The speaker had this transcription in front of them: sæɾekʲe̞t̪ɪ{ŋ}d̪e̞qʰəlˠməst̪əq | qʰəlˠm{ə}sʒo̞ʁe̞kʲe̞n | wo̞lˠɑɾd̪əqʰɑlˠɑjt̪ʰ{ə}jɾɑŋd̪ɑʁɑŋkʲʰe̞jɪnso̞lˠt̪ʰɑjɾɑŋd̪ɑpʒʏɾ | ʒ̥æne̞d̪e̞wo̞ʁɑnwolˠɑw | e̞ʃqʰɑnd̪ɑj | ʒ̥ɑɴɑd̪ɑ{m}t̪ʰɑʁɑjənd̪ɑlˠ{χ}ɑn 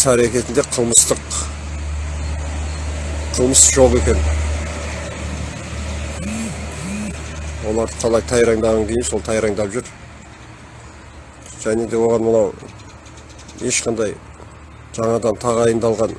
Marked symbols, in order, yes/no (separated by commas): no, yes, no, no, no